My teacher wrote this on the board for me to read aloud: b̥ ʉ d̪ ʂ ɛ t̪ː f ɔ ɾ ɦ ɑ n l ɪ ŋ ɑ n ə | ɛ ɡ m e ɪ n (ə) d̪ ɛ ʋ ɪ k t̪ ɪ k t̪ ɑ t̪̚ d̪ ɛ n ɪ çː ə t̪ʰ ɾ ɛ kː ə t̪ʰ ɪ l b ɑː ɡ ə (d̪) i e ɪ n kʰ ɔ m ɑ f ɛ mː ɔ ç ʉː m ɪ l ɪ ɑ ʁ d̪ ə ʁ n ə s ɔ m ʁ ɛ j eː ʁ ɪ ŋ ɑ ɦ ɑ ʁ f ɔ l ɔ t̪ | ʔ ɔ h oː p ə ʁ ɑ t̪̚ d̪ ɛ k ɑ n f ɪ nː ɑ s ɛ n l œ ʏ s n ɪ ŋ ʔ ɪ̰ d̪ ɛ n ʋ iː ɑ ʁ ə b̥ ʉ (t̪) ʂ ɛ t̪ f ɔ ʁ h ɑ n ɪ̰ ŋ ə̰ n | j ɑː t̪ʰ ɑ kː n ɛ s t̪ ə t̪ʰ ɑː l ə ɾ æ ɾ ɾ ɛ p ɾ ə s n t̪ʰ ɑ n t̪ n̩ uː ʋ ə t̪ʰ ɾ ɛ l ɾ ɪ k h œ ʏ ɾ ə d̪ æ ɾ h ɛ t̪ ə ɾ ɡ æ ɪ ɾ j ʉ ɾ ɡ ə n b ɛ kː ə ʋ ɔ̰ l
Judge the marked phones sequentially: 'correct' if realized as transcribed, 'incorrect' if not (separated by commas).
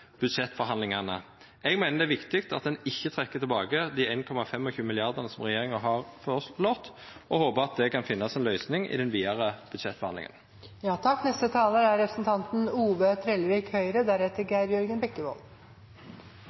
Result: correct, correct, incorrect